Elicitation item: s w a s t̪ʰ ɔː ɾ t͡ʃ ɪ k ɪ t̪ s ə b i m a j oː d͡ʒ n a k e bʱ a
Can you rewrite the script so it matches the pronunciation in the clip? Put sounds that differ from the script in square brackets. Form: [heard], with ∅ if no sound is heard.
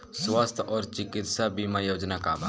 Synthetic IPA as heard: s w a s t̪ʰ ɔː ɾ t͡ʃ ɪ k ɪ t̪ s [a] b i m a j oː d͡ʒ n a k [a] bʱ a